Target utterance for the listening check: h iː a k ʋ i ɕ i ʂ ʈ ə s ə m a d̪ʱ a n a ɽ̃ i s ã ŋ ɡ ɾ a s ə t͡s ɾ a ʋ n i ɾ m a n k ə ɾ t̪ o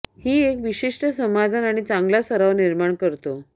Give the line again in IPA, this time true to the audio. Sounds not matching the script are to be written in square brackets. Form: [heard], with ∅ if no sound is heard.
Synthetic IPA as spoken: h iː [e] k ʋ i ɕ i ʂ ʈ ə s ə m a d̪ʱ a n a ɽ̃ i [t͡s] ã ŋ ɡ [l] a s ə [∅] ɾ a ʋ n i ɾ m a [ɳ] k ə ɾ t̪ o